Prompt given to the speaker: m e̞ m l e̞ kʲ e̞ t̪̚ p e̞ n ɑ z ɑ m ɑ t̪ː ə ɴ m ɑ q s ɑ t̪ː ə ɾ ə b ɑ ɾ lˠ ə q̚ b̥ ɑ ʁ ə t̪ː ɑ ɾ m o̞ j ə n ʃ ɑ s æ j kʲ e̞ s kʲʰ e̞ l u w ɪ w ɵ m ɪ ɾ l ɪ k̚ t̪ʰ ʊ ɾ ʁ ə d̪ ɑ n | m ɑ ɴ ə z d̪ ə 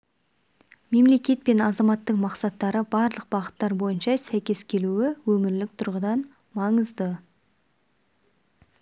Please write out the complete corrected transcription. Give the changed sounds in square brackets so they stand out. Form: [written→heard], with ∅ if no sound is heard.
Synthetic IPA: m e̞ m l e̞ kʲ e̞ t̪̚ p e̞ n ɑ z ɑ m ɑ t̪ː ə ɴ m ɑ q s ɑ t̪ː [ə→ɑ] ɾ ə b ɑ ɾ lˠ ə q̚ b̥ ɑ ʁ ə t̪ː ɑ ɾ [m→b] o̞ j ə n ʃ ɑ s æ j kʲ e̞ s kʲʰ e̞ l u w ɪ w ɵ m ɪ ɾ l ɪ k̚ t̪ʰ ʊ ɾ ʁ ə d̪ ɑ n | m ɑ ɴ ə z d̪ ə